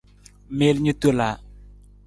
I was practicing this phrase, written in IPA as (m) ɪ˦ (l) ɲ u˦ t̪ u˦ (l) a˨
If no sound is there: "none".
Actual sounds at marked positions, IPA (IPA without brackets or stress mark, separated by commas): m, l, l